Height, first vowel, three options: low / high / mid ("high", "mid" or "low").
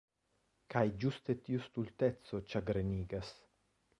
low